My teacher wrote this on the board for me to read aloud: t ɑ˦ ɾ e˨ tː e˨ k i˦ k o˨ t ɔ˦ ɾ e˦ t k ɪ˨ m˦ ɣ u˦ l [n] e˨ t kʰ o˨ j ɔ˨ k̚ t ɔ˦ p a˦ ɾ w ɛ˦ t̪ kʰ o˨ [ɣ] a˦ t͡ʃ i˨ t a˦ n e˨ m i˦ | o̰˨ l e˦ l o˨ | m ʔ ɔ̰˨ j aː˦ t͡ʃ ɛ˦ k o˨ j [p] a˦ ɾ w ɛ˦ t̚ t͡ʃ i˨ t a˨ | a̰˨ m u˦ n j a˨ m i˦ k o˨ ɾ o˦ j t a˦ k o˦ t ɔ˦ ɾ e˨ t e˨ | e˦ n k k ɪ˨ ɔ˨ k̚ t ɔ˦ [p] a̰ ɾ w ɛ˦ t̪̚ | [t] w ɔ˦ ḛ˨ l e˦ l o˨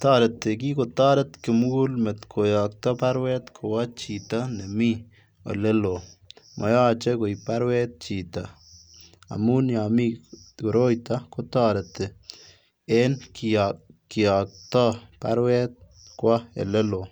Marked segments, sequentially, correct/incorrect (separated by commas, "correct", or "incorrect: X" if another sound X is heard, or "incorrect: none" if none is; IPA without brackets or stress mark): incorrect: m, incorrect: w, correct, correct, incorrect: k